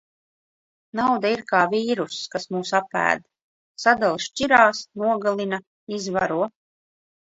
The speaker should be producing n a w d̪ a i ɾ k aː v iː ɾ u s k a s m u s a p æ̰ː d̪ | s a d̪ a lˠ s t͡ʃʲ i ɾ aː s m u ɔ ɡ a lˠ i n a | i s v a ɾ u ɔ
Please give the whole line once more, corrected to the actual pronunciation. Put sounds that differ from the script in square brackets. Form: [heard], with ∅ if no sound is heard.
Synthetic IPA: n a w d̪ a i ɾ k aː v iː ɾ u s k a s m [uː] s a p æ̰ː d̪ | s a d̪ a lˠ [ʃ] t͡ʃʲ i ɾ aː s [n] u ɔ ɡ a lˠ i n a | i [z] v a ɾ u ɔ